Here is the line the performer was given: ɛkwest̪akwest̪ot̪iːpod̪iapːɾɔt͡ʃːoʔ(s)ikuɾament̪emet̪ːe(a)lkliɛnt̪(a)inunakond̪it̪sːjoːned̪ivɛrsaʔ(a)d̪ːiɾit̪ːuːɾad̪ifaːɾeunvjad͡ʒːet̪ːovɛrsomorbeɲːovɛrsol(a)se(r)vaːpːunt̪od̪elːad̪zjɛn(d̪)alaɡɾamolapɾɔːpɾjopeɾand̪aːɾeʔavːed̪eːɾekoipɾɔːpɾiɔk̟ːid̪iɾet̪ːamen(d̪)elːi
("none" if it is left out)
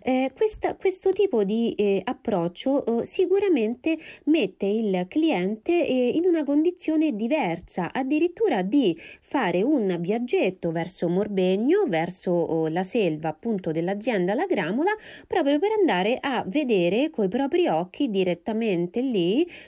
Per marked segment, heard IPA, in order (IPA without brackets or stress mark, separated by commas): s, i, e, a, a, l, d̪, t̪